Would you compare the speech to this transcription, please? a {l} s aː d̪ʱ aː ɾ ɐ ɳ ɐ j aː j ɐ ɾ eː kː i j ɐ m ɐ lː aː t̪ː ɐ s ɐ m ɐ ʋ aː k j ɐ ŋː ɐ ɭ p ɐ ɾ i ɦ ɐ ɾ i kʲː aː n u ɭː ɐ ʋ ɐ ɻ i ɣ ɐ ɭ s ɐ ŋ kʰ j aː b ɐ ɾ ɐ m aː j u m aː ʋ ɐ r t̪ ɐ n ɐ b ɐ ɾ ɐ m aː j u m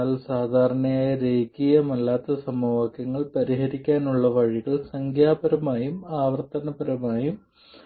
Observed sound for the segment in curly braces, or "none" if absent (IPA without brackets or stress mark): l